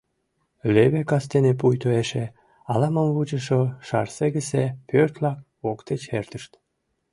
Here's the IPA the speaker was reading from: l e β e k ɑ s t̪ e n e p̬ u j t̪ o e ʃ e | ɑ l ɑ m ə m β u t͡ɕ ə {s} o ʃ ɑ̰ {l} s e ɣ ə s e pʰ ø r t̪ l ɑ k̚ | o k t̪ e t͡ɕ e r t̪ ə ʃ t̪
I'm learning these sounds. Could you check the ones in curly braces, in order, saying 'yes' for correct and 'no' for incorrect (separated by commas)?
no, no